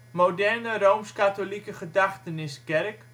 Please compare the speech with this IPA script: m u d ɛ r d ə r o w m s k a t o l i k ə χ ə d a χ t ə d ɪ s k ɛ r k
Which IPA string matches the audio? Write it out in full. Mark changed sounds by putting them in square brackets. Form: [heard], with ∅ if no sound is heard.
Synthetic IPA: m [o] d ɛ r [n] ə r o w m s k a t o l i k ə χ ə d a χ t ə [n] ɪ s k ɛ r k